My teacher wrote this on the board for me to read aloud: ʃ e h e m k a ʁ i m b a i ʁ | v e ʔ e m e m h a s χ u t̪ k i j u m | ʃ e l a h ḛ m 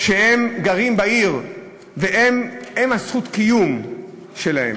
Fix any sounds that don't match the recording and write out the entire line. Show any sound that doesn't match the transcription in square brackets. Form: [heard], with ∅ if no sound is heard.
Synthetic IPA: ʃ e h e m [ɡ] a ʁ i m b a i ʁ | v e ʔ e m e m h a s χ u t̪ k i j u m | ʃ e l a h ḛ m